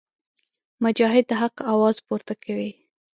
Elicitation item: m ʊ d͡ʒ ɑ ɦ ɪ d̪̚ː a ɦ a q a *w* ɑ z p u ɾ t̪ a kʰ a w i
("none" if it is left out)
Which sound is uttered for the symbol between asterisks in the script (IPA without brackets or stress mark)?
w